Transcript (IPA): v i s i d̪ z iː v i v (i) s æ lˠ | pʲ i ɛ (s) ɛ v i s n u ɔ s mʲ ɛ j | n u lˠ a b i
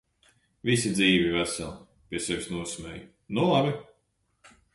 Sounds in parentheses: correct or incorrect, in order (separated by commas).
incorrect, correct